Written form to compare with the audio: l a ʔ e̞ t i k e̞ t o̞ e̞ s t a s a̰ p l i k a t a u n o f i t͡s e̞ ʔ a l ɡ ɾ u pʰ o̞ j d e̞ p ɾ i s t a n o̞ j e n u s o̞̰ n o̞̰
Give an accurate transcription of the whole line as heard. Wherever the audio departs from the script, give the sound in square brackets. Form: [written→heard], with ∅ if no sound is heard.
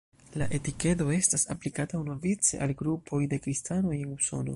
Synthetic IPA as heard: l a ʔ e̞ t i k e̞ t o̞ e̞ s t a s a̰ p l i k a t a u n o [f→v] i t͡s e̞ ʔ a l ɡ ɾ u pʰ o̞ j d e̞ [p→k] ɾ i s t a n o̞ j e n u s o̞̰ n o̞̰